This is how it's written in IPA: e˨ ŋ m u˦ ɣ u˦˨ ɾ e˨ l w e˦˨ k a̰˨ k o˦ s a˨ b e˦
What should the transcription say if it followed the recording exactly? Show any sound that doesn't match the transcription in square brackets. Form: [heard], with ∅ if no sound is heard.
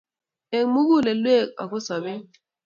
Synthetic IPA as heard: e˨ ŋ m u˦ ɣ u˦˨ [l] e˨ l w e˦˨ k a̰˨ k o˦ s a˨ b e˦

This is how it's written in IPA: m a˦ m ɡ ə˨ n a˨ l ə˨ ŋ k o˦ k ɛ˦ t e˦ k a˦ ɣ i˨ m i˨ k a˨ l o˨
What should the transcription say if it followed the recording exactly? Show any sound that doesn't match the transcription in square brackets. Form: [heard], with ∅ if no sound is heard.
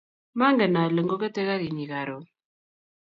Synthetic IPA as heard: m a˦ [ŋ] ɡ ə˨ n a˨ l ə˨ ŋ [ɡ] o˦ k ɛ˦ t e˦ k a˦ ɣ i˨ [ɲ] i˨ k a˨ [ɾ] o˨

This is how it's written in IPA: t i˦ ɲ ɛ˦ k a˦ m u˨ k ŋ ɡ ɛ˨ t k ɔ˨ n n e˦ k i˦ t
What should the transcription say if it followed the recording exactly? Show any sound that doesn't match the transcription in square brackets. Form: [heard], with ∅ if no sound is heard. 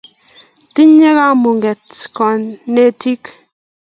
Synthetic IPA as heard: t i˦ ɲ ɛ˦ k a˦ m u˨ [∅] ŋ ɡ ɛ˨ t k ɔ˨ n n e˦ [t] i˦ [k]

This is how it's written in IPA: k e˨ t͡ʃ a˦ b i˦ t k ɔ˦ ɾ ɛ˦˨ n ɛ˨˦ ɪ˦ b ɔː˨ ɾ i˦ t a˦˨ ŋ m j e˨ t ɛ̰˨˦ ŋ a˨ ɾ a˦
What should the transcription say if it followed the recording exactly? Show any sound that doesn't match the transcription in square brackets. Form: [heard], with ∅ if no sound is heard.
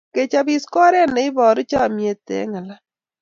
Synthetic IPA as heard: k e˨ t͡ʃ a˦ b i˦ [s] k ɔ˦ ɾ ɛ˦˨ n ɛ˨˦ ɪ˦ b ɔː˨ ɾ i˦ [t͡ʃ] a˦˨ [∅] m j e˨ t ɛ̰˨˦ ŋ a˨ [l] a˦

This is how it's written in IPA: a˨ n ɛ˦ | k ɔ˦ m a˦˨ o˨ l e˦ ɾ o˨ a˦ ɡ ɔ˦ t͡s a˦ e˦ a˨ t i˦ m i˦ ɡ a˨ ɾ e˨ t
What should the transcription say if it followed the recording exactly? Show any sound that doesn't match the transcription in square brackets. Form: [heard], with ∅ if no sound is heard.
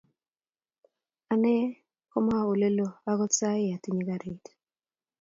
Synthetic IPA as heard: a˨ n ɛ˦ | k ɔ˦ m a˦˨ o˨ l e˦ [l] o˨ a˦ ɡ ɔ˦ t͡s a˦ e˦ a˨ t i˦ [ɲ] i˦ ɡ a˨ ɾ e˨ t

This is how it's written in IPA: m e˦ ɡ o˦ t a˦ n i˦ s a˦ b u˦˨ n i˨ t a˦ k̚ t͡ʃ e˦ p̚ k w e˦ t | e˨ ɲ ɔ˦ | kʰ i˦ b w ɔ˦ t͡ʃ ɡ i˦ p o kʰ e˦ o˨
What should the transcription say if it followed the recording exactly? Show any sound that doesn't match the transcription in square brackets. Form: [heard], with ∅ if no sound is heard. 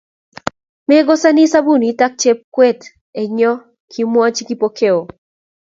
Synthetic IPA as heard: m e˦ ɡ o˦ [s] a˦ n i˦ s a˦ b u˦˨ n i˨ t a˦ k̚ t͡ʃ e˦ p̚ k w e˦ t | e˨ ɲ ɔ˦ | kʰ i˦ [m] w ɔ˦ t͡ʃ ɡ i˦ p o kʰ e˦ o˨

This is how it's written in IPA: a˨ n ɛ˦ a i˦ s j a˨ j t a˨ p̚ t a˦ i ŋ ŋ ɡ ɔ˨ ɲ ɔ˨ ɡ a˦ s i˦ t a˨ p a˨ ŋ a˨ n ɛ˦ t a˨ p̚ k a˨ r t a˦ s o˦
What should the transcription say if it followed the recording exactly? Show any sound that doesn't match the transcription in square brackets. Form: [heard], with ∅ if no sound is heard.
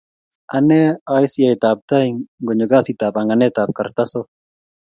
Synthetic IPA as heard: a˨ n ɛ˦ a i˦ s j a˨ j t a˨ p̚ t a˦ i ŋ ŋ ɡ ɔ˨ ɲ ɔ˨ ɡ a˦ s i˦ t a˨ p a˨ ŋ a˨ n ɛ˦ t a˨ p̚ k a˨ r t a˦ s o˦

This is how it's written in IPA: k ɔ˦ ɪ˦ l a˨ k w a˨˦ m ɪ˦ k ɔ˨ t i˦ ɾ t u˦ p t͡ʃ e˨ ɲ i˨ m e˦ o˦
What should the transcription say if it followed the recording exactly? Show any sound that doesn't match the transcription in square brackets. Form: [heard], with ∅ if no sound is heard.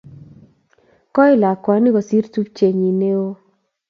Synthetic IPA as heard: k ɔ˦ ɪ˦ l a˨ k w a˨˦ [n] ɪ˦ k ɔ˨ [s] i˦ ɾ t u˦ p t͡ʃ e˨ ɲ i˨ [n] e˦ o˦

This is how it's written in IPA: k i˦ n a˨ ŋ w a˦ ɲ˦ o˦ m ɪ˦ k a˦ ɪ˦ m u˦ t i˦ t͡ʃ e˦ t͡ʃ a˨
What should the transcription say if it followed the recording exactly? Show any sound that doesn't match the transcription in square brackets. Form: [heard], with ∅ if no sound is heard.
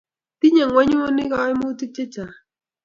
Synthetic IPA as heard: [t] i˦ [ɲ] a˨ ŋ w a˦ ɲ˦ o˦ [n] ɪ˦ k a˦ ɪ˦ m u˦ t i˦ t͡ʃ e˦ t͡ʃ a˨

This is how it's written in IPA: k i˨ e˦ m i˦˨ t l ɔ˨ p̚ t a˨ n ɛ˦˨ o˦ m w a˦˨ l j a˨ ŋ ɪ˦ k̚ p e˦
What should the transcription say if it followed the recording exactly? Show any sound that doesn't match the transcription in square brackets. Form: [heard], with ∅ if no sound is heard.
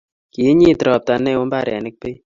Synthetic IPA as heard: k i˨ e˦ [ɲ] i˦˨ t [ɾ] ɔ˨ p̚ t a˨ n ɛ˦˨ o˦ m [b] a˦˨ [ɾ] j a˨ [n] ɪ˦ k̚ p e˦

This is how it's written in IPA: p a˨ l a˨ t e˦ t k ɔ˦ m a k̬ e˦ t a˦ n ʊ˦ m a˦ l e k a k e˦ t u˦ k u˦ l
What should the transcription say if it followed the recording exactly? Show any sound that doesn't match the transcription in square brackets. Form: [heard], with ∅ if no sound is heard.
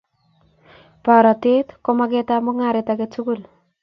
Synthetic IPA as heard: p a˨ [ɾ] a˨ t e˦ t k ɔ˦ m a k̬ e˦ t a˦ [m] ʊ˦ [ŋ] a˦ [ɾ] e [t] a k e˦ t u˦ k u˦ l

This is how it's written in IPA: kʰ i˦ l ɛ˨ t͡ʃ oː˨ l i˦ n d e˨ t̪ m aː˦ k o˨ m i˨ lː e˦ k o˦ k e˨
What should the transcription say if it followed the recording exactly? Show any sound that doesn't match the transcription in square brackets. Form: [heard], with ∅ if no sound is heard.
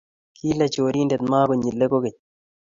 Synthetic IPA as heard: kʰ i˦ l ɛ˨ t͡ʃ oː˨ [ɾ] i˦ n d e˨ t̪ m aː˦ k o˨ [ɲ] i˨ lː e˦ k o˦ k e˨

